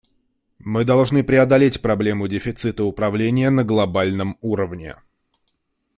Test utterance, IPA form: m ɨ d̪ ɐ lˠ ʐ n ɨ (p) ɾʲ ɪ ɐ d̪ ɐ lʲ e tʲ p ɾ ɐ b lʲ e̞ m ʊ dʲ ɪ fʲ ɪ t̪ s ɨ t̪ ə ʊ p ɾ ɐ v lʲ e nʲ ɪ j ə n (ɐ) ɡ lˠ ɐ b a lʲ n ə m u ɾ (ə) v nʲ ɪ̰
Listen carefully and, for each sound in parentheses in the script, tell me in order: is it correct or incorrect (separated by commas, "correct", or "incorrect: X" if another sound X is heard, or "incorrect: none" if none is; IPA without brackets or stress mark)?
correct, incorrect: ə, correct